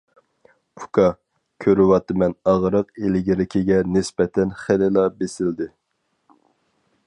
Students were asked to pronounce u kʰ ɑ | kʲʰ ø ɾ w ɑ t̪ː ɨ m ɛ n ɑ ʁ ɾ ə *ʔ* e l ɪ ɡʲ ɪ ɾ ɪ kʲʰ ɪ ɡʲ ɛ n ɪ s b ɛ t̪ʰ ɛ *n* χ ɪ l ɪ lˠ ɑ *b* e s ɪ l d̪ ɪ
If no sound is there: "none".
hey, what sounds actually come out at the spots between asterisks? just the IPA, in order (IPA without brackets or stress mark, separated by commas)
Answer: q, n, b